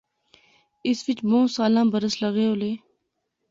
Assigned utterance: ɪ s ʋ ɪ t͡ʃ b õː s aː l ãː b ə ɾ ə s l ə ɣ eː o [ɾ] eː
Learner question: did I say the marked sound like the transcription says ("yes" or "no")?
no